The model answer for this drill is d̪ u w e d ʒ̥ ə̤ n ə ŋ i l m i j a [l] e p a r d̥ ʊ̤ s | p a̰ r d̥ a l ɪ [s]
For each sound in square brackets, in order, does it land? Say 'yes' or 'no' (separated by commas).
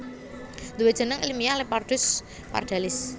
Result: yes, yes